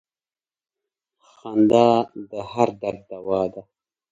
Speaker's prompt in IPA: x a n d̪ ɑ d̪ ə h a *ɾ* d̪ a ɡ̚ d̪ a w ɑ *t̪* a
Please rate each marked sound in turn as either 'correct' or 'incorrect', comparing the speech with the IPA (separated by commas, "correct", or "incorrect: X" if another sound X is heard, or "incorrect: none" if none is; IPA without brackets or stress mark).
correct, incorrect: d̪